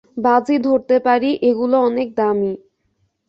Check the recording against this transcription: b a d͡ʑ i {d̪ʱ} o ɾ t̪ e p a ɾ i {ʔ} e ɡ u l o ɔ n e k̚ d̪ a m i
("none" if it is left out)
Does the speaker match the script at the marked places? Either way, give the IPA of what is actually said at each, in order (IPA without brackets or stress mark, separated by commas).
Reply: d̪ʱ, ʔ